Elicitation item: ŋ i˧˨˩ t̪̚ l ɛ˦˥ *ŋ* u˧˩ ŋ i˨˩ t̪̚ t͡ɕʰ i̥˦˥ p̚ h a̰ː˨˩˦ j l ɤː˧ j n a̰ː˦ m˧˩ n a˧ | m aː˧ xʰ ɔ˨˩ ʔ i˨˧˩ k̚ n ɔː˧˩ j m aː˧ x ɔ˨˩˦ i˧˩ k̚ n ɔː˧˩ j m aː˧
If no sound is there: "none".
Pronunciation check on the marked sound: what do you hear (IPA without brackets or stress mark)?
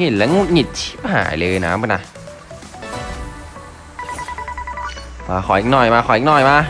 ŋ